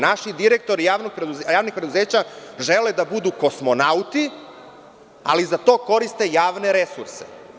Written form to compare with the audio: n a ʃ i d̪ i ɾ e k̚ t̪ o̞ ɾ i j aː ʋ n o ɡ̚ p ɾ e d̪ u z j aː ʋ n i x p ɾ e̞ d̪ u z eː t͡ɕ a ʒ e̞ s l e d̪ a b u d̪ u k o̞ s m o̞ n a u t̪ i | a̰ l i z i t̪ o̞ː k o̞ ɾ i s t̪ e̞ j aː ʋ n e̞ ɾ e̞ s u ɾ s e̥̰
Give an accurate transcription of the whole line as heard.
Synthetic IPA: n a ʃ i d̪ i ɾ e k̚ t̪ o̞ ɾ i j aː ʋ n o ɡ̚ p ɾ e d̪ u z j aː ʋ n i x p ɾ e̞ d̪ u z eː t͡ɕ a ʒ e̞ l e d̪ a b u d̪ u k o̞ s m o̞ n a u t̪ i | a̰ l i z a t̪ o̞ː k o̞ ɾ i s t̪ e̞ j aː ʋ n e̞ ɾ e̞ s u ɾ s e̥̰